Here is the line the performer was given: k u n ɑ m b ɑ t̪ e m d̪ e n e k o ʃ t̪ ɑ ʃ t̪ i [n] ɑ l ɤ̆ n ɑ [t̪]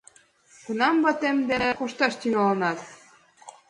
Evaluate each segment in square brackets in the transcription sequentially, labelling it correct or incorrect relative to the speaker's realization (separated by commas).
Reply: incorrect, correct